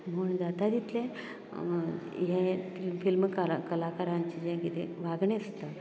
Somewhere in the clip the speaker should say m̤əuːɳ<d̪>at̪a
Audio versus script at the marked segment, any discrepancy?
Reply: no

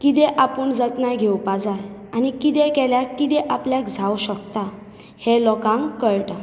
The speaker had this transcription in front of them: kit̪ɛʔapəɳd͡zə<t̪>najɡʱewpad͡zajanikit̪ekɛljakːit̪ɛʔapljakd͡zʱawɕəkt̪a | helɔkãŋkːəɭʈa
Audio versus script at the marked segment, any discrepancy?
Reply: no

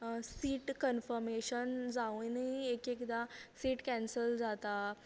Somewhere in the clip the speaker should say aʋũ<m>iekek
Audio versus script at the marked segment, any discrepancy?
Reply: yes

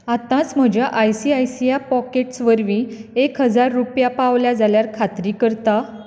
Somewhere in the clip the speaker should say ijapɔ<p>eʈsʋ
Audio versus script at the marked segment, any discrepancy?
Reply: yes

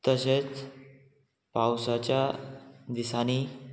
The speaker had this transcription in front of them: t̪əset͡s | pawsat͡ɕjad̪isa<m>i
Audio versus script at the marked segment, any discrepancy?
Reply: yes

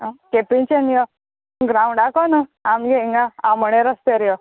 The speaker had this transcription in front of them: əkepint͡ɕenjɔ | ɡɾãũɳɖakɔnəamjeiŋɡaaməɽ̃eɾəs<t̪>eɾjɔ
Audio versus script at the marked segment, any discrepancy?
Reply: no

